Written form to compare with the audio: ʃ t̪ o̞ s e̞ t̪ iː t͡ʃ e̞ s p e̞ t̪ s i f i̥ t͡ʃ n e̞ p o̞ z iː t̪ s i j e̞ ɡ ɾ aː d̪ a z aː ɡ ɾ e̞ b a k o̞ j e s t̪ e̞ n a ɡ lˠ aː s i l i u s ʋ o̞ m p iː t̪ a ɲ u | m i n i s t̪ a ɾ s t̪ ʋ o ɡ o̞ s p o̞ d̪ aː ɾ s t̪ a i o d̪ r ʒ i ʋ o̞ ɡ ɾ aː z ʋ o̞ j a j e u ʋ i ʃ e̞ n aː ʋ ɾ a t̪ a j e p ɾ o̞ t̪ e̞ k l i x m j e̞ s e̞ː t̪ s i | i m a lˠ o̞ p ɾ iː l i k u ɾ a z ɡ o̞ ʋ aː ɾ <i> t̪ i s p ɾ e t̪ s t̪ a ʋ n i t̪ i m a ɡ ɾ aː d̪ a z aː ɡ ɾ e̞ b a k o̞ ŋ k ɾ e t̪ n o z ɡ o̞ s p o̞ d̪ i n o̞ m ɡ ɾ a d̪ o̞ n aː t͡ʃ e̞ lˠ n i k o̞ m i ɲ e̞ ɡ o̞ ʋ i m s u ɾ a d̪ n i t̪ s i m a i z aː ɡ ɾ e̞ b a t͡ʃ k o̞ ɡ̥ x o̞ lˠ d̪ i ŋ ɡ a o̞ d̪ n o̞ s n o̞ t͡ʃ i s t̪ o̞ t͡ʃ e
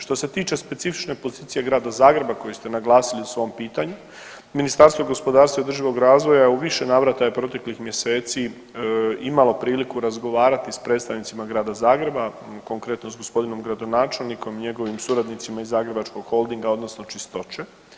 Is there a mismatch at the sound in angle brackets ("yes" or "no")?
yes